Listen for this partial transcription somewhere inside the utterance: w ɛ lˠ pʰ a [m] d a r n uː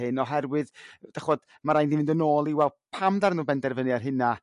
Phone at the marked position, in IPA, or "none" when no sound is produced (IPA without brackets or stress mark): m